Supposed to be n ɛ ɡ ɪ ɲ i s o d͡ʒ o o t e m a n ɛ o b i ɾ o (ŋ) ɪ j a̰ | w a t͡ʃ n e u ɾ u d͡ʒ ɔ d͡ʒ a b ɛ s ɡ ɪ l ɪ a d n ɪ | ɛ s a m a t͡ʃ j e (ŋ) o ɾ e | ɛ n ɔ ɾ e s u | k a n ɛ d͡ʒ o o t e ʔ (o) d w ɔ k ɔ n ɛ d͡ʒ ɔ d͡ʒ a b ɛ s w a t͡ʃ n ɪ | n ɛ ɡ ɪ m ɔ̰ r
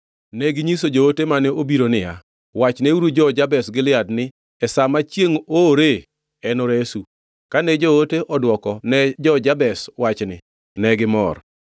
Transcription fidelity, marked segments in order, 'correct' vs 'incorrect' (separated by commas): incorrect, correct, incorrect